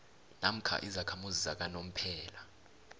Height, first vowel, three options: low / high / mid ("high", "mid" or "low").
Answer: low